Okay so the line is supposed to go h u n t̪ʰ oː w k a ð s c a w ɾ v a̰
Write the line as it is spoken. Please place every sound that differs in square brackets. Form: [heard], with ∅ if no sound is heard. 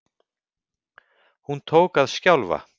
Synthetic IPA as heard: h u n t̪ʰ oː w k a ð s c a w [l] v a̰